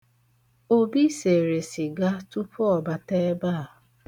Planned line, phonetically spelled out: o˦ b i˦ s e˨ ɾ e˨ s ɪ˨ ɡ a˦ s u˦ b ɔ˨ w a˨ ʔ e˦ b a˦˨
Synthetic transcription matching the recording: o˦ b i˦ s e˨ ɾ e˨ s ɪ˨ ɡ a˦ t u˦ p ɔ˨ b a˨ t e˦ b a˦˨